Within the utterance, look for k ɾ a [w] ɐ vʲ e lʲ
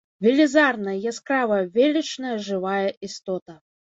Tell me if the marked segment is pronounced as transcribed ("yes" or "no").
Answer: no